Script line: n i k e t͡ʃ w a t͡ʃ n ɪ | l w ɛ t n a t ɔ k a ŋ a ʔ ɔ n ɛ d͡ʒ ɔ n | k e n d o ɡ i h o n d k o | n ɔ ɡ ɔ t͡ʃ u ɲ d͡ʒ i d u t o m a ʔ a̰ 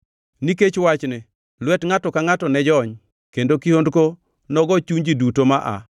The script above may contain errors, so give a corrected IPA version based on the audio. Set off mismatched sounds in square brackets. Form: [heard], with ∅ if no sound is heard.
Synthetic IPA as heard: n i k e t͡ʃ w a t͡ʃ n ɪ | l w ɛ t [ŋ] a t ɔ k a ŋ a [t] ɔ n ɛ d͡ʒ ɔ [ɲ] | k e n d o [k] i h o n d k o | n ɔ ɡ ɔ t͡ʃ u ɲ d͡ʒ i d u t o m a ʔ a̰